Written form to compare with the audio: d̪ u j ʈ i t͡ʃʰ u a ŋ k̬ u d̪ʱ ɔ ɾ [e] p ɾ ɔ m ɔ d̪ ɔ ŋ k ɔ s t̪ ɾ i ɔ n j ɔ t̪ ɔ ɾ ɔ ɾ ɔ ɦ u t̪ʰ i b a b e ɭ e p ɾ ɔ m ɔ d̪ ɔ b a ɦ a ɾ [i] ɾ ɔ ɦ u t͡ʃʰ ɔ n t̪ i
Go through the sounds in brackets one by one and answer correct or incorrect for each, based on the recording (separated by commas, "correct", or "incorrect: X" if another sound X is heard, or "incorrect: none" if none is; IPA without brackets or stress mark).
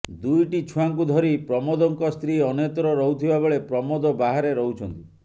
incorrect: i, incorrect: e